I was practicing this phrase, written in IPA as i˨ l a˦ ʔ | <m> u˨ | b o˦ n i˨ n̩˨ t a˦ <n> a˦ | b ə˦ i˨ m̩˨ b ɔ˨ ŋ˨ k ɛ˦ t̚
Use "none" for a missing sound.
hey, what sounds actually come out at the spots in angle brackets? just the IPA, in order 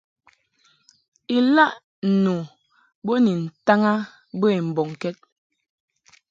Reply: n, ŋ

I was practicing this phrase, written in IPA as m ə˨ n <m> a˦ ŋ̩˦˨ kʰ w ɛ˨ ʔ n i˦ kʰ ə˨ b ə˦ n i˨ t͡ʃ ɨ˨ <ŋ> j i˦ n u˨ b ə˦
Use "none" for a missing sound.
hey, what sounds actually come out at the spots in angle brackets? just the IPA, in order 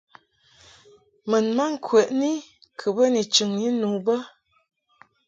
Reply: m, ŋ

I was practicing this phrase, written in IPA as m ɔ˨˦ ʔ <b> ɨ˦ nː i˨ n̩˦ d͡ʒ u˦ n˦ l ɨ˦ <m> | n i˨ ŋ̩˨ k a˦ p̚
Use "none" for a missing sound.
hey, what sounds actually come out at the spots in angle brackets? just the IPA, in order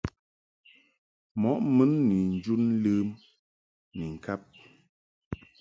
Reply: m, m

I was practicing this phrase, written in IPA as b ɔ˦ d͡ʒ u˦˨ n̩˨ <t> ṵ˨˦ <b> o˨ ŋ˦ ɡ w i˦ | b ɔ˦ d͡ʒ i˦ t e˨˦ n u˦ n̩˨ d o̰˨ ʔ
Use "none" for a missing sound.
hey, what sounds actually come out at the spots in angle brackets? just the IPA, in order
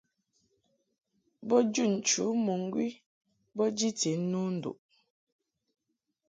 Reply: t͡ʃ, m

